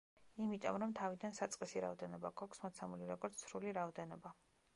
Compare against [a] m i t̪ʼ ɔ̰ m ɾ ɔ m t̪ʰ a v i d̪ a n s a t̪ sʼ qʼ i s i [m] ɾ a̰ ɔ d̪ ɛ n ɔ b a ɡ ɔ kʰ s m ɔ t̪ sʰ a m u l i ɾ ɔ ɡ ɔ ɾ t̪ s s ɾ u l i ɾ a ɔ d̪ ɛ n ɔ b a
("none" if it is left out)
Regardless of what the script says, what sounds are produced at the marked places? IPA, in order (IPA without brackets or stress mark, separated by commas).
i, none